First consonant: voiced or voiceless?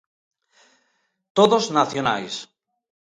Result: voiceless